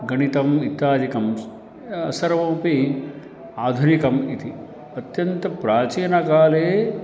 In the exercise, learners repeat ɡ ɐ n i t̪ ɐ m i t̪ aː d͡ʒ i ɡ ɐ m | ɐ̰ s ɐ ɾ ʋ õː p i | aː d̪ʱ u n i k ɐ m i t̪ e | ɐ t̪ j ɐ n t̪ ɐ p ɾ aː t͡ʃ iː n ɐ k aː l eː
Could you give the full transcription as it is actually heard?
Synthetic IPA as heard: ɡ ɐ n i t̪ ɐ m i t̪ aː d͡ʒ i k ɐ m | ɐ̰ s ɐ ɾ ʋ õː p i | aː d̪ʱ u n i k ɐ m i t̪ i | ɐ t̪ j ɐ n t̪ ɐ p ɾ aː t͡ʃ iː n ɐ k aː l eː